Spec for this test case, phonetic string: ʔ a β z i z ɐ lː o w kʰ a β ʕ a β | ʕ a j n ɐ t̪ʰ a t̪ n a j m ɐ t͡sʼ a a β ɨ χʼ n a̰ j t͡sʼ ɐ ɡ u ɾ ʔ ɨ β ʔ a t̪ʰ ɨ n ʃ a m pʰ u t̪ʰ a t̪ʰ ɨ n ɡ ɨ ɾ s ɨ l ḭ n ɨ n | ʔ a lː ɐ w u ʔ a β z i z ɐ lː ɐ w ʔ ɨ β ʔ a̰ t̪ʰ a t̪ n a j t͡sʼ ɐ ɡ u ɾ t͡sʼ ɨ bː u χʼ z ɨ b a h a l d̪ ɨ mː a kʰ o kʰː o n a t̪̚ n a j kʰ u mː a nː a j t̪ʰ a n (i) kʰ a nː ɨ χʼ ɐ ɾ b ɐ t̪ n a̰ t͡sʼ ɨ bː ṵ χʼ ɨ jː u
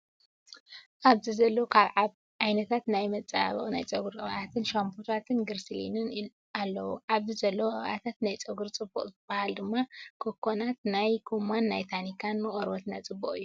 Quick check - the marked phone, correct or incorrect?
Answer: correct